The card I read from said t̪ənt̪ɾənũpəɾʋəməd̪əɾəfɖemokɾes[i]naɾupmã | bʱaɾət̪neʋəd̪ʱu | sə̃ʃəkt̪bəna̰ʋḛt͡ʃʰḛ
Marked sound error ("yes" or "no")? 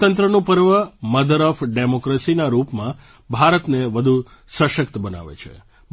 no